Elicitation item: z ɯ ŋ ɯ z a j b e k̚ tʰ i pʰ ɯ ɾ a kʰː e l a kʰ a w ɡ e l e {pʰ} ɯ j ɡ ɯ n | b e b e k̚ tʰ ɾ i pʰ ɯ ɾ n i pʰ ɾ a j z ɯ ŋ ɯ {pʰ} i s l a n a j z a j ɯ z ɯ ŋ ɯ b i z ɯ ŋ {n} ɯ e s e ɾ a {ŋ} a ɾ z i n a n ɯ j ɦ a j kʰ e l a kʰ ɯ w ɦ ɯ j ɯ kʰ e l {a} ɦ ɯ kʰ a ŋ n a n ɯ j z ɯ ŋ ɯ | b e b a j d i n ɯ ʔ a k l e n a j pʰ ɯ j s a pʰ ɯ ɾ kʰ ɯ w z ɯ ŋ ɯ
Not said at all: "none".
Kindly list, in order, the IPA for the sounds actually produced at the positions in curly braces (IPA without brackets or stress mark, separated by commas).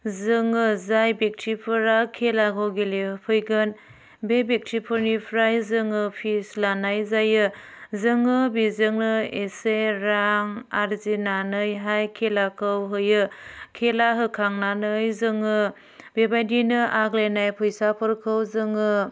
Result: pʰ, pʰ, n, ŋ, a